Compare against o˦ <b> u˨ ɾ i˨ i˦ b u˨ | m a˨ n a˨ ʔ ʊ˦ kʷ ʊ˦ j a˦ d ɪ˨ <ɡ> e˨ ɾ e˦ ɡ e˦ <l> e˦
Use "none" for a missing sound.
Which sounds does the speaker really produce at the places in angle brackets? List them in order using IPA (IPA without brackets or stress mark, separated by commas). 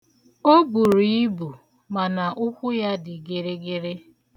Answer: b, ɡ, ɾ